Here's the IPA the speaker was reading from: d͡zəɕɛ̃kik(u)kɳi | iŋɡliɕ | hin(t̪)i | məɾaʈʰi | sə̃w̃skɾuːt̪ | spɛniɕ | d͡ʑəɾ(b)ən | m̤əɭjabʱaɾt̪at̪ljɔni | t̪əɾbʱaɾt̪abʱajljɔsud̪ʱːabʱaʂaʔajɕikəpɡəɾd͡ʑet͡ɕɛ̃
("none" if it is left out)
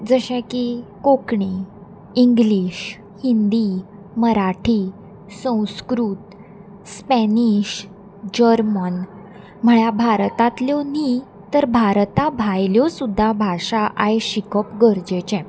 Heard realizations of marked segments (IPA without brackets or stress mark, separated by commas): o, d̪, m